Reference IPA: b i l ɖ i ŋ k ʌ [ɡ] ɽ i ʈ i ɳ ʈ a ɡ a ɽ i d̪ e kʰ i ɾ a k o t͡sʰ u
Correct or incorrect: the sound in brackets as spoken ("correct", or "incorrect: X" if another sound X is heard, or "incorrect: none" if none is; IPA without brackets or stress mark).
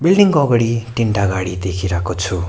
correct